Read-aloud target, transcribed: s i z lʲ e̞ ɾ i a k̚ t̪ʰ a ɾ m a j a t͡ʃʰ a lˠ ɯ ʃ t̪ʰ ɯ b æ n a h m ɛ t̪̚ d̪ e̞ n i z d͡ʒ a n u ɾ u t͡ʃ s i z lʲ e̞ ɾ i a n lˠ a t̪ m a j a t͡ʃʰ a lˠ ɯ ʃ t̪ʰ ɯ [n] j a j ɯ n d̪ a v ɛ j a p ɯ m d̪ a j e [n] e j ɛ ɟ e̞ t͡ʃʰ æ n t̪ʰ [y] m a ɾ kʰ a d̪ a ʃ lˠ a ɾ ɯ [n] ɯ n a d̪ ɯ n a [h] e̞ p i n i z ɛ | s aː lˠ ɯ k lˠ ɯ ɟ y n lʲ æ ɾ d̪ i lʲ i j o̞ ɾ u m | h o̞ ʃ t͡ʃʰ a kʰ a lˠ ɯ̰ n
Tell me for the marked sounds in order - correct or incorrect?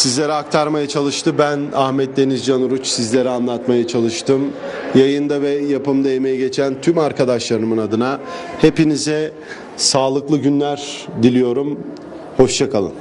incorrect, incorrect, correct, incorrect, correct

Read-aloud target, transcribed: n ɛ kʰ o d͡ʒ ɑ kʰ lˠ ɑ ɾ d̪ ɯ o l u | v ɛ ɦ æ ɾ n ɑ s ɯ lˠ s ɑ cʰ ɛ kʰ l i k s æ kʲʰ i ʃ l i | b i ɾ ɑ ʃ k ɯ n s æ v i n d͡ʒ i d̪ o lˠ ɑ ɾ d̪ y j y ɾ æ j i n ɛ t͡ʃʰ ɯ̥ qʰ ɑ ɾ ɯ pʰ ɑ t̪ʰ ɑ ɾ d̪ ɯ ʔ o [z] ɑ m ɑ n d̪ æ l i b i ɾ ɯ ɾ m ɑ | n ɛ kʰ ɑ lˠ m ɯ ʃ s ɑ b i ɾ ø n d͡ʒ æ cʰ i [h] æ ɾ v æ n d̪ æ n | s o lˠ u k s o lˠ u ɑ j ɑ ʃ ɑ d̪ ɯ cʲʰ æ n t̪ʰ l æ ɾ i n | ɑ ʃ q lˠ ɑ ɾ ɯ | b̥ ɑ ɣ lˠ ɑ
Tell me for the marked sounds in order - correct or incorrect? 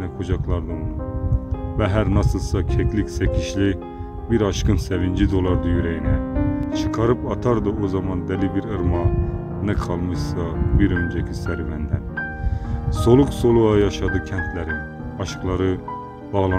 correct, incorrect

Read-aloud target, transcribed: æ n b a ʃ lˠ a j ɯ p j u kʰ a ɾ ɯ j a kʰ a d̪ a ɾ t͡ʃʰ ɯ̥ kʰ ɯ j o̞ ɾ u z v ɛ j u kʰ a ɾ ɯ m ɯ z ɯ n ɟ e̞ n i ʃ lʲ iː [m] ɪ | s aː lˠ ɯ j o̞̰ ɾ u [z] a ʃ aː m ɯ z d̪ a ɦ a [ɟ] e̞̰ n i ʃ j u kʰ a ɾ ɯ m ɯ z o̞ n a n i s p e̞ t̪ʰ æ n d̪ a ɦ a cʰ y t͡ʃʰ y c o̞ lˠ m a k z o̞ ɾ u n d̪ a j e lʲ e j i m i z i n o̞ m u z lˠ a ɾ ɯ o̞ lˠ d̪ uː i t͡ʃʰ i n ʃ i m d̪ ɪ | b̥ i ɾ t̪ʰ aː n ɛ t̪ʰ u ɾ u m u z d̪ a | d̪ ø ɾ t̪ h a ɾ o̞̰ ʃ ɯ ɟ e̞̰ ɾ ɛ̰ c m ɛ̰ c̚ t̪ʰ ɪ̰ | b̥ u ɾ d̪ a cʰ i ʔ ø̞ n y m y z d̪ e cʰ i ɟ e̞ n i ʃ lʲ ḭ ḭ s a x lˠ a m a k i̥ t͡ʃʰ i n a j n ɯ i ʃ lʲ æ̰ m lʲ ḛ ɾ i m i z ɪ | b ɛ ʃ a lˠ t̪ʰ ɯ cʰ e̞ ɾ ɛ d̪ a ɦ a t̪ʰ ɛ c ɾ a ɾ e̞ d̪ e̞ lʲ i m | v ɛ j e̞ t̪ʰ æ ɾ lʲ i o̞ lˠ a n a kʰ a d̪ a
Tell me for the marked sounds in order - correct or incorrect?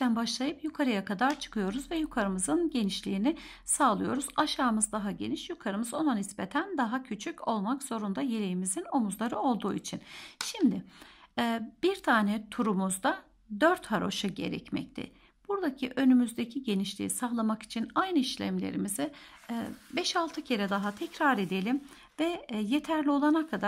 incorrect, correct, correct

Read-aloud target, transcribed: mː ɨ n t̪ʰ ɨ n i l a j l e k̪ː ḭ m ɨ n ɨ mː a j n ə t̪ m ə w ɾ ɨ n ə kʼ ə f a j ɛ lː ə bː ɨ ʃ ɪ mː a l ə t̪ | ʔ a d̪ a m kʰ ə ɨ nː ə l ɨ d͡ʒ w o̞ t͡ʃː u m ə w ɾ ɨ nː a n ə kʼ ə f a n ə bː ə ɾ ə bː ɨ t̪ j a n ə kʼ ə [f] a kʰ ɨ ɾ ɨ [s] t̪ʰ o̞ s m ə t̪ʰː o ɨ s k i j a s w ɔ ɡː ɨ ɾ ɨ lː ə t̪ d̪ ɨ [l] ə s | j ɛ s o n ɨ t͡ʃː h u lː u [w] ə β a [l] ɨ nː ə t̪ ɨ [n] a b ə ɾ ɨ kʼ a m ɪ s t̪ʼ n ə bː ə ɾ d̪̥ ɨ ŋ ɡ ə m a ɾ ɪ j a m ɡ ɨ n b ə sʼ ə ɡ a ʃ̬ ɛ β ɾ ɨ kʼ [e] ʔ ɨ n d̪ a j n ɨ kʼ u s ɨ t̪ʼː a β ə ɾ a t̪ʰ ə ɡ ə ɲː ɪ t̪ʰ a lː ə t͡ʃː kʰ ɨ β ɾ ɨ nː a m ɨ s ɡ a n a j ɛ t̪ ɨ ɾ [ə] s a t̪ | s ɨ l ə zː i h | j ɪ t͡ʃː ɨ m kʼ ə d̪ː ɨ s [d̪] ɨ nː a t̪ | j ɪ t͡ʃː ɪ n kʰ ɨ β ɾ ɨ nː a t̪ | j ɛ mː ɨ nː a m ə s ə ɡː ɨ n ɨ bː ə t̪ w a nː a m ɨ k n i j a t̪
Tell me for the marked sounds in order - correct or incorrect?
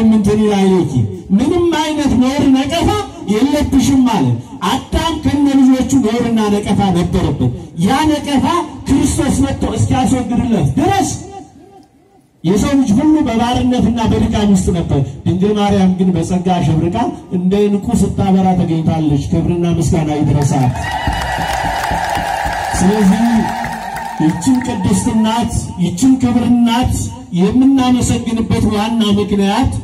correct, correct, incorrect, incorrect, incorrect, incorrect, incorrect, correct, incorrect

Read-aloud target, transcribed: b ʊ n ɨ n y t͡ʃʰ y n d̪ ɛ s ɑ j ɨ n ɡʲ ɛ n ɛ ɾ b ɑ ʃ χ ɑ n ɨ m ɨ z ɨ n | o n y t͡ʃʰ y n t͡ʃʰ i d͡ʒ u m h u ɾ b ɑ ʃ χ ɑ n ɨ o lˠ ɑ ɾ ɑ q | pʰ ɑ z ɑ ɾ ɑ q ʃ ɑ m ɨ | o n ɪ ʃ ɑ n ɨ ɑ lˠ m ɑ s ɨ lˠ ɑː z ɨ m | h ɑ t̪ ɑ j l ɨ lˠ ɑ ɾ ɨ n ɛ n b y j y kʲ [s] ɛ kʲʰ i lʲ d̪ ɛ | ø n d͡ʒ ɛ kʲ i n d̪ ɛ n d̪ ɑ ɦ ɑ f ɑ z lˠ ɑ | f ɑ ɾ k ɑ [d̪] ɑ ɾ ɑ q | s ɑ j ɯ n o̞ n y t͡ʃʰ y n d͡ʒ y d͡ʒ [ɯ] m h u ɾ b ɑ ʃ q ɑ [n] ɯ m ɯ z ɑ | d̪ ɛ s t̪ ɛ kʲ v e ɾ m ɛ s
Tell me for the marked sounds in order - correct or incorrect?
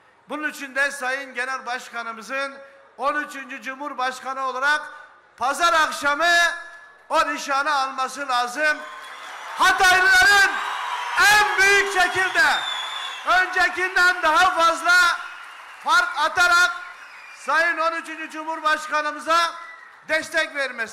incorrect, incorrect, incorrect, correct

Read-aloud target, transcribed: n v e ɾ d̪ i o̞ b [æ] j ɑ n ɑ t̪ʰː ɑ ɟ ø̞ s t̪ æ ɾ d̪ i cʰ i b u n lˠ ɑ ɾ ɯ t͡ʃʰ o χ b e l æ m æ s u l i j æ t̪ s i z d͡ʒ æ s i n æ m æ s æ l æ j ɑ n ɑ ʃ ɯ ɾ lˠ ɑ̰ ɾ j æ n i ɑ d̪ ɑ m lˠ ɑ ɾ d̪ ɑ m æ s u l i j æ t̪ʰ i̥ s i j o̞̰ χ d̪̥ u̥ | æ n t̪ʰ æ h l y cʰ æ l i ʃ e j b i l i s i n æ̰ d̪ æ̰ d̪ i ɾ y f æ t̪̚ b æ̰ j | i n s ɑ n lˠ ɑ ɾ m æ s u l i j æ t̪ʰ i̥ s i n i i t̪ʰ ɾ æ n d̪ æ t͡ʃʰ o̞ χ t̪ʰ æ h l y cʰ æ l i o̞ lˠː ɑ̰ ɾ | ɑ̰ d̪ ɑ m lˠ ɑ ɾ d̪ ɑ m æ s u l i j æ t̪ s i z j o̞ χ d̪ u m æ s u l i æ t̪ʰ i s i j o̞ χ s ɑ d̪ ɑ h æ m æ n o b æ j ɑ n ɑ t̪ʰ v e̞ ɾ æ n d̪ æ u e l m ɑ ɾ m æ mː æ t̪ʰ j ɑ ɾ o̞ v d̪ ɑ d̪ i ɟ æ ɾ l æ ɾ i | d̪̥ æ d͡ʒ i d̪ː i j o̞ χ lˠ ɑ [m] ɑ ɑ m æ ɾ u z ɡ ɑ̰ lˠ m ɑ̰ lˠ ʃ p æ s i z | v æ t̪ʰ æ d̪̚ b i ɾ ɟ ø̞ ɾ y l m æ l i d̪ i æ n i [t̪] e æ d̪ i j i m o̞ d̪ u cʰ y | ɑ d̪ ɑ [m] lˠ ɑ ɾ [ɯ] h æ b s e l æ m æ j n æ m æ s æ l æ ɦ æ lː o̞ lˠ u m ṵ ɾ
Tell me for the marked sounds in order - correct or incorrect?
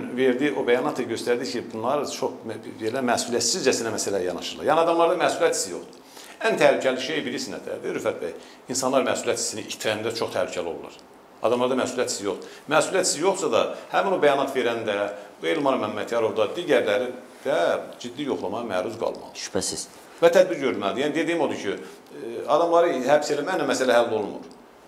correct, correct, incorrect, correct, correct

